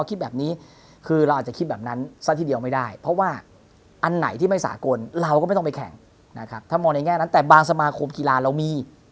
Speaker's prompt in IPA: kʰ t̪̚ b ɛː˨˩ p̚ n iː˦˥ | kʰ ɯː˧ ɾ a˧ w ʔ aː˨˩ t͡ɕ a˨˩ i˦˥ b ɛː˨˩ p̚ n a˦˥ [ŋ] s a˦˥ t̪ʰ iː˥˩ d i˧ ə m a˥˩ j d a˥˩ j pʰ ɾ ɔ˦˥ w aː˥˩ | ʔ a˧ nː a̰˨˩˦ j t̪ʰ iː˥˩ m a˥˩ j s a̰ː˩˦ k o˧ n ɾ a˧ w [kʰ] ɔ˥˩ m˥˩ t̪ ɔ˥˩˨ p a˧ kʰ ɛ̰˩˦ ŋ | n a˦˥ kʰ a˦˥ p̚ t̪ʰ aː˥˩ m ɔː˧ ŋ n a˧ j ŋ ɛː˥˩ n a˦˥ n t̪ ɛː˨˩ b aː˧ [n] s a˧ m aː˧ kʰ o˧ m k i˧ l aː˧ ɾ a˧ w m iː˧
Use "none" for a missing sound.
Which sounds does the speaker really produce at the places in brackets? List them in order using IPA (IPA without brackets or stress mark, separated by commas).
n, k, ŋ